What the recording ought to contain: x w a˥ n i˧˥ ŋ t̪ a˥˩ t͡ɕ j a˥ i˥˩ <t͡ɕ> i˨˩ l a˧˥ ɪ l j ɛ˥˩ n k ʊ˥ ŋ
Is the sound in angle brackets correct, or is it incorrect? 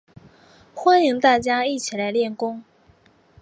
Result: incorrect